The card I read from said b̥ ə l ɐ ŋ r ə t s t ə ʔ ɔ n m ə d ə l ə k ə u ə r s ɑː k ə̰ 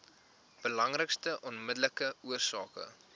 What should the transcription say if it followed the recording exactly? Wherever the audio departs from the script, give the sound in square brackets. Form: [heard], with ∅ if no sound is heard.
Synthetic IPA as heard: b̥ ə l ɐ ŋ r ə [k] s t ə ʔ ɔ n m ə d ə l ə k ə u ə r s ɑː k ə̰